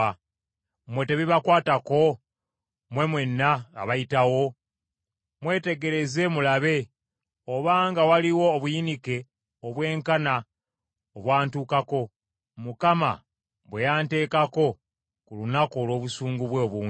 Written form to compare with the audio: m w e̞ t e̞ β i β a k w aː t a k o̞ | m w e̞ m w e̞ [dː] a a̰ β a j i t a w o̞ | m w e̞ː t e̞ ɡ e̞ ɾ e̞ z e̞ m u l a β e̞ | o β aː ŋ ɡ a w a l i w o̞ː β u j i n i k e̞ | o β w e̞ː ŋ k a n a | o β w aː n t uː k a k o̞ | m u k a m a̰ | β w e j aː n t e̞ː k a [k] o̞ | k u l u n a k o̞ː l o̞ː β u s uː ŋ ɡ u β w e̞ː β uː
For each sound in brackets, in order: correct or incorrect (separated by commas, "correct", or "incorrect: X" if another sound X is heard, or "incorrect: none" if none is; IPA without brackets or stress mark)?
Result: incorrect: nː, correct